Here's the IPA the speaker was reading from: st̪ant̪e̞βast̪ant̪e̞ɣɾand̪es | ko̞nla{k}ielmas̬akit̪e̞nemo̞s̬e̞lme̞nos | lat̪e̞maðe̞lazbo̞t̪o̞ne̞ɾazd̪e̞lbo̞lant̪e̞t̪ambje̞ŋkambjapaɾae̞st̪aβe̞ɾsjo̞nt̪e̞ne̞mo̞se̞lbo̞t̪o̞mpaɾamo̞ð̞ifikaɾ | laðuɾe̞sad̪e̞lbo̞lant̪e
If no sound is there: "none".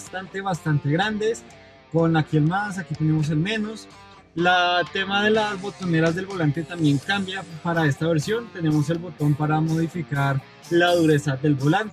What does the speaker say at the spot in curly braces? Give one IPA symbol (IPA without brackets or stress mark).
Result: k